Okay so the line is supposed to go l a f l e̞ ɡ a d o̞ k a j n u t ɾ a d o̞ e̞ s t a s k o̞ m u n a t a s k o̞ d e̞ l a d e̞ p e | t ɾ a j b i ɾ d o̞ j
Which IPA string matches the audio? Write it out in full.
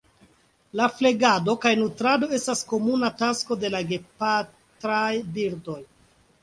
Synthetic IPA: l a f l e̞ ɡ a d o̞ k a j n u t ɾ a d o̞ e̞ s t a s k o̞ m u n a t a s k o̞ d e̞ l a ɡ e̞ p a | t ɾ a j b i ɾ d o̞ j

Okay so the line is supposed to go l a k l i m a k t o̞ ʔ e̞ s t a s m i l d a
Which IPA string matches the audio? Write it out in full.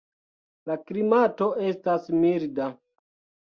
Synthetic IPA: l a k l i m a t o̞ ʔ e̞ s t a s m i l d a

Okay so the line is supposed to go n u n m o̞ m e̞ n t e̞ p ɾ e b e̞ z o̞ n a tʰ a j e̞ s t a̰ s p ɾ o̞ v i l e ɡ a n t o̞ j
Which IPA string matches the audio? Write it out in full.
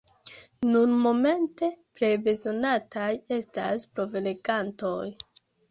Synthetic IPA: n u n m o̞ m e̞ n t e̞ p ɾ e b e̞ z o̞ n a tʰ a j e̞ s t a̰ s p ɾ o̞ v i l e ɡ a n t o̞ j

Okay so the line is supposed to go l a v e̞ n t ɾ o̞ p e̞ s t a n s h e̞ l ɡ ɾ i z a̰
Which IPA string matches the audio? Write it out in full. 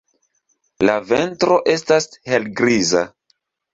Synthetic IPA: l a v e̞ n t ɾ o̞ ʔ e̞ s t a s h e̞ l ɡ ɾ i z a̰

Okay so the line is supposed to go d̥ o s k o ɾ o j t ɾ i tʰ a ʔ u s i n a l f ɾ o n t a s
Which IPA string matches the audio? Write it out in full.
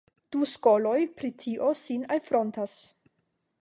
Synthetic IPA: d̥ u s k o l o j p ɾ i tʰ i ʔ o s i n a l f ɾ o n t a s

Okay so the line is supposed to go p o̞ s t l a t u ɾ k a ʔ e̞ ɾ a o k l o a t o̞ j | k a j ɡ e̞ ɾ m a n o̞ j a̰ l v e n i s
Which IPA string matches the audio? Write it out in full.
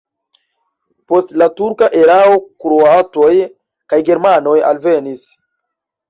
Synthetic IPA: p o̞ s t l a t u ɾ k a ʔ e̞ ɾ a o k ɾ o a t o̞ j | k a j ɡ e̞ ɾ m a n o̞ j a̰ l v e n i s

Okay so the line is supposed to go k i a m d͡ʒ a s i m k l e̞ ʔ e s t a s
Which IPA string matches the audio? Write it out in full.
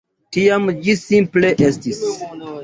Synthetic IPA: t i a m d͡ʒ i s i m p l e̞ ʔ e s t i s

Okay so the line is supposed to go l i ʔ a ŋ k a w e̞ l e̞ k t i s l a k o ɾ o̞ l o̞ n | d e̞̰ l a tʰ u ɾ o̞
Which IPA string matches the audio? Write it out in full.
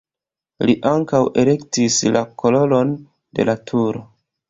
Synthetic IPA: l i ʔ a ŋ k a w e̞ l e̞ k t i s l a k o l o̞ l o̞ n | d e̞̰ l a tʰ u ɾ o̞

